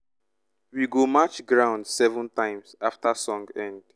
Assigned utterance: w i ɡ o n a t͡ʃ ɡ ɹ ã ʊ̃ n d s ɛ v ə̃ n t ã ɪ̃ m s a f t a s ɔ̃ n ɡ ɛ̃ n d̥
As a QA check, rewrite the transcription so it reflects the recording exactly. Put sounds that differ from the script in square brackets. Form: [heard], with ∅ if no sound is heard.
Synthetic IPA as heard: w i ɡ o [m] a t͡ʃ ɡ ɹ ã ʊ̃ n d s ɛ v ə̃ n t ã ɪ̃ m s a f t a s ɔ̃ [ŋ] ɡ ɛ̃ n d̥